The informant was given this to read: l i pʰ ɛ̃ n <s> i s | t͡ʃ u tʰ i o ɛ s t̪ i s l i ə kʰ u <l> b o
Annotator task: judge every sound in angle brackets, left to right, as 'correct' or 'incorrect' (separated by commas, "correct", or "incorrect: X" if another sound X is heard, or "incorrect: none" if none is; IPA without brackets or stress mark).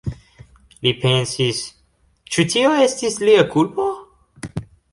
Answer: correct, correct